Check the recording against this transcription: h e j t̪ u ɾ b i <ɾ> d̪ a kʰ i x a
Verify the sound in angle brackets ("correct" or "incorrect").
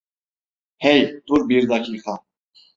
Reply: correct